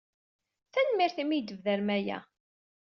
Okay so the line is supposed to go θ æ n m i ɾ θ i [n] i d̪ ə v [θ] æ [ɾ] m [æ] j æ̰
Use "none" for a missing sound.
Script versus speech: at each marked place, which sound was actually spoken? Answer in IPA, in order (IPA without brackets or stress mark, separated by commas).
m, ð, ɾ, æ